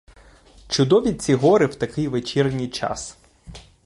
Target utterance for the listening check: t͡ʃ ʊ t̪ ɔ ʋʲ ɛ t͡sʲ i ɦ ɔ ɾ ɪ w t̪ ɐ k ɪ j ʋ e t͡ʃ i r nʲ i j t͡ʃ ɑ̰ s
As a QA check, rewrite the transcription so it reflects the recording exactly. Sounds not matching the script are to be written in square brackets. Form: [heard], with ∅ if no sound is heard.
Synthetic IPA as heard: t͡ʃ ʊ [d̪] ɔ ʋʲ [i] t͡sʲ i ɦ ɔ ɾ ɪ w t̪ ɐ k ɪ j ʋ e t͡ʃ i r nʲ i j t͡ʃ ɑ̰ s